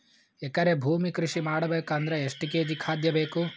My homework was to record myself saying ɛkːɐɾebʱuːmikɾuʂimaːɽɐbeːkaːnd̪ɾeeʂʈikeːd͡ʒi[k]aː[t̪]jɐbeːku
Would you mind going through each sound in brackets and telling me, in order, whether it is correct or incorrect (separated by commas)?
incorrect, incorrect